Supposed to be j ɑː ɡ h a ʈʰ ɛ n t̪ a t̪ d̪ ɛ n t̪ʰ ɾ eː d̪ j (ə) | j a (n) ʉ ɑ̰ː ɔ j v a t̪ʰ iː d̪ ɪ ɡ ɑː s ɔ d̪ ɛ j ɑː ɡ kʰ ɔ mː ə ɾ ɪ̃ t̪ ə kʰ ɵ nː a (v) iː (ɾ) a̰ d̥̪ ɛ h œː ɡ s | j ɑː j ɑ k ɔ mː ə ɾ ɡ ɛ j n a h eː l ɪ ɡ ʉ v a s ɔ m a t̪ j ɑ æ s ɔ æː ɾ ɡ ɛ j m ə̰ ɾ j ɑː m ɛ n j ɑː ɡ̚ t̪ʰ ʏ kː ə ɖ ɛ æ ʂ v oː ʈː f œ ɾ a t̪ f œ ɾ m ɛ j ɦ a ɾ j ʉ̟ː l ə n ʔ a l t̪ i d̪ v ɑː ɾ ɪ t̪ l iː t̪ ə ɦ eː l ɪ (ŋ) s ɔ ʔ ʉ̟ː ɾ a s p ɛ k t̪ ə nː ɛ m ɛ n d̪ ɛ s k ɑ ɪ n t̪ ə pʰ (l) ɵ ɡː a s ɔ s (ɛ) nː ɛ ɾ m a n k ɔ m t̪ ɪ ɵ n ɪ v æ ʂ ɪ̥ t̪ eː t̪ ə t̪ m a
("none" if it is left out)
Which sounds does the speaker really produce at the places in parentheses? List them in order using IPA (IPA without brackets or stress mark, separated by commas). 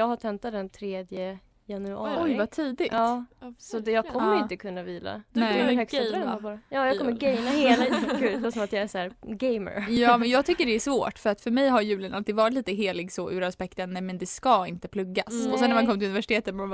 ə, n, v, l, ɡ, l, ɛ